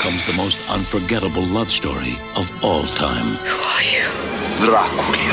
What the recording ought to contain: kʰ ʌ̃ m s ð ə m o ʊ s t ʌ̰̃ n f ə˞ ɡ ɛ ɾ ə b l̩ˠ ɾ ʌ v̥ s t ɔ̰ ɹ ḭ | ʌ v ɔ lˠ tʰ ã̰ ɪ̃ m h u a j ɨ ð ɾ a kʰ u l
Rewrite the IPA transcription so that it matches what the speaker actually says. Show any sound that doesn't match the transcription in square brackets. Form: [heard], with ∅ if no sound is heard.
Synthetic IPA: kʰ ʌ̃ m [z] ð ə m o ʊ s t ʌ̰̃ n f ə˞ ɡ ɛ ɾ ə b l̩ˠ [l] ʌ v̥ s t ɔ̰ ɹ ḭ | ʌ v ɔ lˠ tʰ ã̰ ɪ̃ m h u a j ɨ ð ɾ a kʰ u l